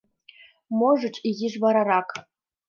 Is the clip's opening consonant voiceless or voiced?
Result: voiced